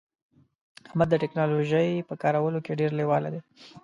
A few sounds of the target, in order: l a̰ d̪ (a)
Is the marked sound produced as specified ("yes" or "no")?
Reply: no